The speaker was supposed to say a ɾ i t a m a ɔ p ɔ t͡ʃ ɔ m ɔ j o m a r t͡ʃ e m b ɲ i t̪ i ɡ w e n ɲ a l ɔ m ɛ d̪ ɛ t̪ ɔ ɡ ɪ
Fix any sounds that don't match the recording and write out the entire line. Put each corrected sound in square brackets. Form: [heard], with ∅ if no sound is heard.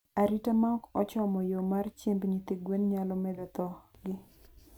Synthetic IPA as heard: a ɾ i t a m a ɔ [k] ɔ t͡ʃ ɔ m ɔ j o m a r t͡ʃ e m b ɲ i t̪ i ɡ w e n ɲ a l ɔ m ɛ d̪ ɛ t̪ ɔ ɡ ɪ

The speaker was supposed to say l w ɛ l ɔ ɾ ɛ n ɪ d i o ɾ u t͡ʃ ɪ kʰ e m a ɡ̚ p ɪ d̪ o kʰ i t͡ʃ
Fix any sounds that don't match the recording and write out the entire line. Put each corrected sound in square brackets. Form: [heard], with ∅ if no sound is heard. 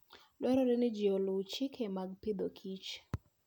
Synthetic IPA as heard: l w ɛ [ɾ] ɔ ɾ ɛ n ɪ [d͡ʒ] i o [l] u t͡ʃ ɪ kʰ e m a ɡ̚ p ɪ d̪ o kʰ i t͡ʃ

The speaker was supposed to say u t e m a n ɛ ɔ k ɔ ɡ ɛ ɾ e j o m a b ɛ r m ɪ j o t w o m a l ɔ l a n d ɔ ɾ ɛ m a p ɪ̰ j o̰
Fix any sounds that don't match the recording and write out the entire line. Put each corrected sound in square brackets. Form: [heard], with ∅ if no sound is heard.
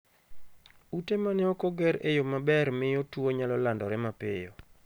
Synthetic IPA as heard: u t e m a n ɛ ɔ k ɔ ɡ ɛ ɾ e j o m a b ɛ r m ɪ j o t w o [ɲ] a l ɔ l a n d ɔ ɾ ɛ m a p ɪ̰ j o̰

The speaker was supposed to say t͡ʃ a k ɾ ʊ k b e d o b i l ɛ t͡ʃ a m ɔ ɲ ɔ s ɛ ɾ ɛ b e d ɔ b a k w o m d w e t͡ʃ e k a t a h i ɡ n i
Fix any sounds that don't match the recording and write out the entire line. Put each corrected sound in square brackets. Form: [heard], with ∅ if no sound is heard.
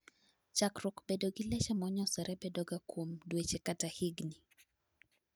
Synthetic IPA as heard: t͡ʃ a k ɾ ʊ k b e d o [ɡ] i l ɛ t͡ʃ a m ɔ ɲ ɔ s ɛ ɾ ɛ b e d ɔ [ɡ] a k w o m d w e t͡ʃ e k a t a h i ɡ n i

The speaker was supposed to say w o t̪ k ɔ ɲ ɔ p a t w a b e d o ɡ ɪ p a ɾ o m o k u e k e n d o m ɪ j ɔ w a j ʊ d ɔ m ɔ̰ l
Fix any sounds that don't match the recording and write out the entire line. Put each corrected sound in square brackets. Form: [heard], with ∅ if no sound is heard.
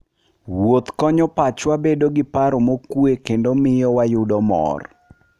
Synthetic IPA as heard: w o t̪ k ɔ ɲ ɔ p a [t͡ʃ] w a b e d o ɡ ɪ p a ɾ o m o k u e k e n d o m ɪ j ɔ w a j ʊ d ɔ m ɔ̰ [r]

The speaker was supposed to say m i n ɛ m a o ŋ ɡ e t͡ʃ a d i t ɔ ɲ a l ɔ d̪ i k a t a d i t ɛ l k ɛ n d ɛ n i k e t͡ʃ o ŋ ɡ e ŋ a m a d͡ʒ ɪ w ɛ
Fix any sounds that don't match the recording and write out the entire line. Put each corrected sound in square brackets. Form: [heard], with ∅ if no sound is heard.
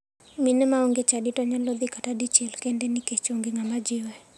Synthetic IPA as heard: m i n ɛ m a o ŋ ɡ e t͡ʃ a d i t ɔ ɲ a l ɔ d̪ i k a t a d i [t͡ʃ] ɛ l k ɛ n d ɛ n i k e t͡ʃ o ŋ ɡ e ŋ a m a d͡ʒ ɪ w ɛ

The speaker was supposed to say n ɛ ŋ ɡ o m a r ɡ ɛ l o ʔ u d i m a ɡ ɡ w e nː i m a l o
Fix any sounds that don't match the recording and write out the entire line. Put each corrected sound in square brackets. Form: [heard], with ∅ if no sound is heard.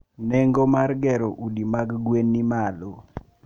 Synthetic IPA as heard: n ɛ ŋ ɡ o m a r ɡ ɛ [ɾ] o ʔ u d i m a ɡ ɡ w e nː i m a l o

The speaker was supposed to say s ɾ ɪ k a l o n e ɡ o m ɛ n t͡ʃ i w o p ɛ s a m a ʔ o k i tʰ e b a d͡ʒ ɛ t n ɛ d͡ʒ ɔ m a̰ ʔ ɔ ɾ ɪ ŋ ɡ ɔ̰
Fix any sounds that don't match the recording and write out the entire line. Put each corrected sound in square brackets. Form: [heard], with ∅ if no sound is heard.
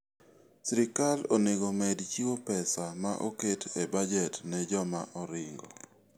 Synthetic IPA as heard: s ɾ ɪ k a l o n e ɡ o m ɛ [d] t͡ʃ i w o p ɛ s a m a ʔ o k [e] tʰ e b a d͡ʒ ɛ t n ɛ d͡ʒ ɔ m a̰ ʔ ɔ ɾ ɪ ŋ ɡ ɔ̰

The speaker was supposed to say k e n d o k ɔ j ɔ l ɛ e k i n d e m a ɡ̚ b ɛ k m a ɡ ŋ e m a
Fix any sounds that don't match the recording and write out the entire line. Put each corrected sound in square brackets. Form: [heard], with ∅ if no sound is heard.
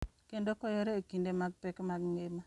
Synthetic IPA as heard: k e n d o k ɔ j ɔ [ɾ] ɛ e k i n d e m a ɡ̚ [p] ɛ k m a ɡ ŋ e m a

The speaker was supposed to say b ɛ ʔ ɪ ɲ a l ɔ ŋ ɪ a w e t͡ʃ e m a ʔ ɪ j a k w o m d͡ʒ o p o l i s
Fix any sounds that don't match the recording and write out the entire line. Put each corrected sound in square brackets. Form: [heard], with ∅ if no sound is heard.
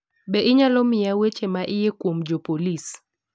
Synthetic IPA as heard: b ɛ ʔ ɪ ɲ a l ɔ [m] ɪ a w e t͡ʃ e m a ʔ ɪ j [e] k w o m d͡ʒ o p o l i s

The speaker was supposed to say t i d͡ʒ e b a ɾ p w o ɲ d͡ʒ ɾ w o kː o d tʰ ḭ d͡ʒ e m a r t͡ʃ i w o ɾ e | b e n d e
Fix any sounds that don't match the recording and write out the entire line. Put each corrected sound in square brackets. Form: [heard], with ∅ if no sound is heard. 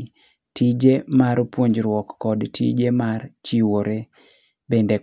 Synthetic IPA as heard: t i d͡ʒ e [m] a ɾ p w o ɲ d͡ʒ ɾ w [ɔ] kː [ɔ] d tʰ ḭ d͡ʒ e m a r t͡ʃ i w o ɾ e | b e n d e

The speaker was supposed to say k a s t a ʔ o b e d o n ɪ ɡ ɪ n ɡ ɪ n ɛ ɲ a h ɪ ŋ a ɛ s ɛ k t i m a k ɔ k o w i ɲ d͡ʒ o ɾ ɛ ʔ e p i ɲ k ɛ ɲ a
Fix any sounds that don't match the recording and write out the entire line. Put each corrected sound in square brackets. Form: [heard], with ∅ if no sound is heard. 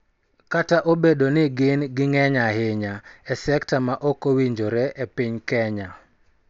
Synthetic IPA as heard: k a [∅] t a ʔ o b e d o n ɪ ɡ ɪ n ɡ ɪ [ŋ] ɛ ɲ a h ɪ [ɲ] a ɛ s ɛ k t [a] m a [ʔ] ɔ k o w i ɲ d͡ʒ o ɾ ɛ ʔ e p i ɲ k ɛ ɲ a

